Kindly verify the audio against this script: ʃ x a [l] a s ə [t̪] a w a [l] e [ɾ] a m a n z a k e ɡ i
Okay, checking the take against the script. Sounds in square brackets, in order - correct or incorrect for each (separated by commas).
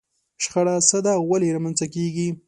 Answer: incorrect, incorrect, correct, correct